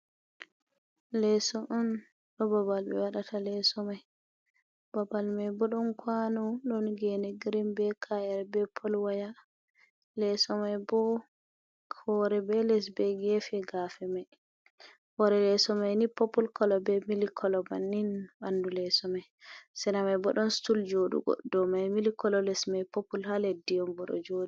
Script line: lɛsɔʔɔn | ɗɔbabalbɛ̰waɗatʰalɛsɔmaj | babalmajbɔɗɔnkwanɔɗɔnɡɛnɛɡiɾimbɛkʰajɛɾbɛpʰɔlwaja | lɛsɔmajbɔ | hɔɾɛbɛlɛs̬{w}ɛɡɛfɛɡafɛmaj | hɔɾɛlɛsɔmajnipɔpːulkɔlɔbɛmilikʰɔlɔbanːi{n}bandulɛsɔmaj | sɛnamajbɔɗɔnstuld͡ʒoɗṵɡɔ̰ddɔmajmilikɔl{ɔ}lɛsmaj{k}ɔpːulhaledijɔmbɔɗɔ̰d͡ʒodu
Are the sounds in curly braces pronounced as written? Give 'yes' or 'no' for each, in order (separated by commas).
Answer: no, yes, yes, no